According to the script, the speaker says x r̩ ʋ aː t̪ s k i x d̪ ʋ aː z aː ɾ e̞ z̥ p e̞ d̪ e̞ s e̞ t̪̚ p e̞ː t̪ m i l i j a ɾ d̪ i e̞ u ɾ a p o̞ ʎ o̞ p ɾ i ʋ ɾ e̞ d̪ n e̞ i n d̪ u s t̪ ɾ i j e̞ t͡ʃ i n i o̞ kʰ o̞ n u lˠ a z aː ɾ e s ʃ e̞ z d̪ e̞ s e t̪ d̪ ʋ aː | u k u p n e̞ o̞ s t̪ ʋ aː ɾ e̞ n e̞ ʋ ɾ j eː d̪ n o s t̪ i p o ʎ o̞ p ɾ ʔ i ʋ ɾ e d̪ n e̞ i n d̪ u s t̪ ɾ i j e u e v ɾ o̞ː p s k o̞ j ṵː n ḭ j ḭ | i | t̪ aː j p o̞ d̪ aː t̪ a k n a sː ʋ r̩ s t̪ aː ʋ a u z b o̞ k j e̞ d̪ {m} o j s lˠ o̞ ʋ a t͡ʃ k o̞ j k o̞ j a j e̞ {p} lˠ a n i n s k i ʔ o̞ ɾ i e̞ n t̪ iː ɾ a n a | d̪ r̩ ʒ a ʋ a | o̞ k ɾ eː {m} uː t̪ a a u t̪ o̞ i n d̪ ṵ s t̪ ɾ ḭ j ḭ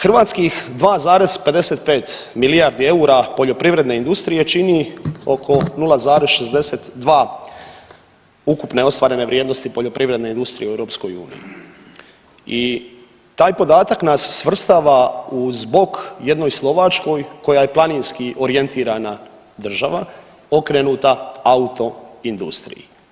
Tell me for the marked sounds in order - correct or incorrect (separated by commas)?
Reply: incorrect, correct, incorrect